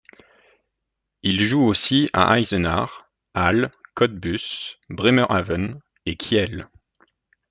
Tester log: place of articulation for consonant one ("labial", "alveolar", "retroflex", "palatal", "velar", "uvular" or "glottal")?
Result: alveolar